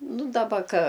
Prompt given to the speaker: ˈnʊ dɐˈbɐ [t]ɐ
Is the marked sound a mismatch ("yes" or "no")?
yes